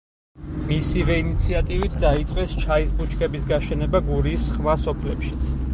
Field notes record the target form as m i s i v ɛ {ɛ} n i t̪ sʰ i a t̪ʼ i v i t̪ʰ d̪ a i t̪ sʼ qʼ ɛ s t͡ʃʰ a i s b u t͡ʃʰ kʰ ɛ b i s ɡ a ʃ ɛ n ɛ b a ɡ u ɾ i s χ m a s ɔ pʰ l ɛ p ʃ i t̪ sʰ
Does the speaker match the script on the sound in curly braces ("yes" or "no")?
no